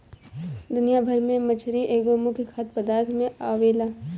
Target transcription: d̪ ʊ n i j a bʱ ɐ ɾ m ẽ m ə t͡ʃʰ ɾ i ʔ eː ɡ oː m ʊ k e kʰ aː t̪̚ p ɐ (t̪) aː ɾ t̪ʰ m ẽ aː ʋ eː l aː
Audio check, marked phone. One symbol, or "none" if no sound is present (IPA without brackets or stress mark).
d̪